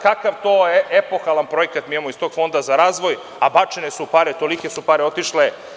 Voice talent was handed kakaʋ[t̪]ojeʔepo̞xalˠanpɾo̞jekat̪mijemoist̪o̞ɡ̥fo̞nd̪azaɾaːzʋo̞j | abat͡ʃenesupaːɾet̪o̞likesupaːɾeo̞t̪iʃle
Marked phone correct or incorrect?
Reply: correct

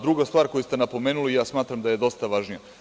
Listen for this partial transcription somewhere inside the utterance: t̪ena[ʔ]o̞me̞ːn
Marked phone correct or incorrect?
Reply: incorrect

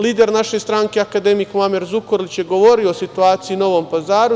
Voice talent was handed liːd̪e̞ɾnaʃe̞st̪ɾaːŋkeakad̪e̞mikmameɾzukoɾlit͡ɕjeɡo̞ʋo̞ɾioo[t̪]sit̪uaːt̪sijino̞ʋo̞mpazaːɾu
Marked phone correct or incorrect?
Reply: incorrect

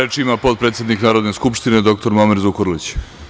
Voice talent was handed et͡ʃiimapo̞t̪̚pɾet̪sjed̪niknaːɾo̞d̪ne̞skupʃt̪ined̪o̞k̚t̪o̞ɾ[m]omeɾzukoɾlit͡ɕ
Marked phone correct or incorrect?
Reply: correct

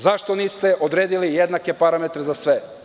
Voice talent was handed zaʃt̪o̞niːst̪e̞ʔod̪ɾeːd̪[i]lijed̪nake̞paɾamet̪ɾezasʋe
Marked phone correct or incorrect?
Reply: correct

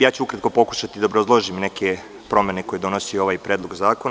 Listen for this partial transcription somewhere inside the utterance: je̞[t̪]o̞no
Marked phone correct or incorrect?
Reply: incorrect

